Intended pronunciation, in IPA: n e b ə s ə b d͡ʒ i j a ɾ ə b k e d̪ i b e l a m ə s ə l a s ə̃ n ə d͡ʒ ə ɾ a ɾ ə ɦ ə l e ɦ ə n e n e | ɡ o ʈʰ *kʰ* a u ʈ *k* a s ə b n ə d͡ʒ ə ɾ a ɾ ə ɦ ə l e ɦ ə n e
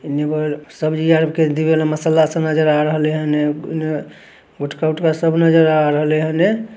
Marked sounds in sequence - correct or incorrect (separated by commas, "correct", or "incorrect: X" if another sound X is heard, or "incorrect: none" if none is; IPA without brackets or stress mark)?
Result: incorrect: k, correct